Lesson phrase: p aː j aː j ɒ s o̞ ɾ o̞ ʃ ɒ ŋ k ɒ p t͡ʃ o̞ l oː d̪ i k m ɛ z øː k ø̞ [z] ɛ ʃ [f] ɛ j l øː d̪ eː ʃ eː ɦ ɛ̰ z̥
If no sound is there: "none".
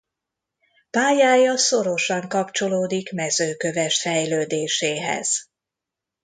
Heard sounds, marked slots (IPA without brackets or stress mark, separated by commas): v, f